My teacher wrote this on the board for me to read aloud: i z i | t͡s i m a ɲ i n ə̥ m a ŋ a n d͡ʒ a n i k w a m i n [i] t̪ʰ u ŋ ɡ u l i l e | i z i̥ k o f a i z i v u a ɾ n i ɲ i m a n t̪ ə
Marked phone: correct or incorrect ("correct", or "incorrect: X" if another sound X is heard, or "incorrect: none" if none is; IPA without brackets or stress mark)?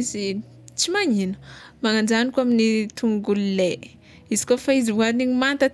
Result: correct